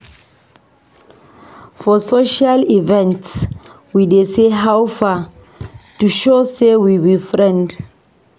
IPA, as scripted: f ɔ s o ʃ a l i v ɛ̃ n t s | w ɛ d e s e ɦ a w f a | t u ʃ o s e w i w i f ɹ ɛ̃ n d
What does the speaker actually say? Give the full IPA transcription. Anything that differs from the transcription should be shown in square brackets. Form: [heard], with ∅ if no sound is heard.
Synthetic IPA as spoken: f ɔ s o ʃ a l i v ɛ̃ n t s | w [i] d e s e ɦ a w f a | t u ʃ o s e w i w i f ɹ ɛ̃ n d